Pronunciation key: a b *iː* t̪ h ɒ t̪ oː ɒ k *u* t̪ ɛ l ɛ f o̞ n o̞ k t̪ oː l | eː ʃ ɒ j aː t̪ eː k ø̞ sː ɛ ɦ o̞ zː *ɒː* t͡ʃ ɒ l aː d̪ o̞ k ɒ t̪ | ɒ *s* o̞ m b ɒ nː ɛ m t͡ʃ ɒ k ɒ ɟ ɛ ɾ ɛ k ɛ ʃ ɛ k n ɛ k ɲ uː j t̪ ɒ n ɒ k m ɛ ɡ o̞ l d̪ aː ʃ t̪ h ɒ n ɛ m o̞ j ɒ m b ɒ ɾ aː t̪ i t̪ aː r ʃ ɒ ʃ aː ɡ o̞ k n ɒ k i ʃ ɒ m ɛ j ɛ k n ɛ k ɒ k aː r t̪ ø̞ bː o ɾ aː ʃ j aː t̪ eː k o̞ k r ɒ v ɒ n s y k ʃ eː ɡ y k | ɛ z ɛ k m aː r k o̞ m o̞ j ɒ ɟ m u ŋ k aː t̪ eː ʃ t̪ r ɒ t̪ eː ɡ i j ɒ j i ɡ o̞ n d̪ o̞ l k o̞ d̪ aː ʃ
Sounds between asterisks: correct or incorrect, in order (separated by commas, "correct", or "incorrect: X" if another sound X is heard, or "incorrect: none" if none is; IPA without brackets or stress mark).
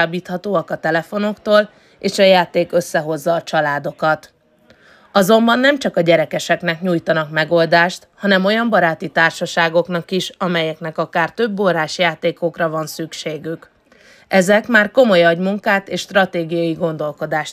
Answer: correct, incorrect: ɒ, correct, incorrect: z